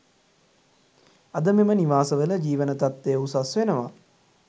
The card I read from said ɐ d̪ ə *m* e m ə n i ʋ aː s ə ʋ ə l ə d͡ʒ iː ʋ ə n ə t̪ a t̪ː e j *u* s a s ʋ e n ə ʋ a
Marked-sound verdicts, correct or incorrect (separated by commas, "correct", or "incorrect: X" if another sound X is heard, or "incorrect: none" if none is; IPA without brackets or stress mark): correct, correct